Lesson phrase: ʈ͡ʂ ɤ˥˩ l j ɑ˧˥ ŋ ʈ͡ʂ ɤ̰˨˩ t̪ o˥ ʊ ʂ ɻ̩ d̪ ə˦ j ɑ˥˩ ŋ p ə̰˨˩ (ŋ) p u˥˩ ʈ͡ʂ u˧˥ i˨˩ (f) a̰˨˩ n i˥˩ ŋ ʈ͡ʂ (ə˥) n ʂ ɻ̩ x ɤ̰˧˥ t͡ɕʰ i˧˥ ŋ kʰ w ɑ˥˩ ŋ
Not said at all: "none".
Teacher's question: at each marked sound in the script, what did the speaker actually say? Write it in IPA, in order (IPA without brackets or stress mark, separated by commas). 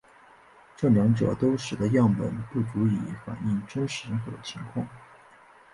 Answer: n, f, ə˥